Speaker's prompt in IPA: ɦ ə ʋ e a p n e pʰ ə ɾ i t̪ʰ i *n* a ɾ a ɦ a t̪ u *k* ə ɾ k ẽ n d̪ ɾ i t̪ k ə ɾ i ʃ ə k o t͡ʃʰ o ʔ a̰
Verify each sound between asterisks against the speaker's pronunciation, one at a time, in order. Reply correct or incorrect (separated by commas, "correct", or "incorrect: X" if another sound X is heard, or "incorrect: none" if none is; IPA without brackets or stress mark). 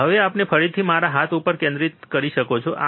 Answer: incorrect: m, incorrect: p